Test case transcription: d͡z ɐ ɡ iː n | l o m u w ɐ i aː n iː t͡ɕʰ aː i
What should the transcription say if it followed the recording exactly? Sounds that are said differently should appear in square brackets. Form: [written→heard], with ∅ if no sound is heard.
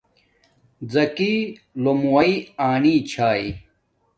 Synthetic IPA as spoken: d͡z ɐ [ɡ→k] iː [n→∅] | l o m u w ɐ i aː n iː t͡ɕʰ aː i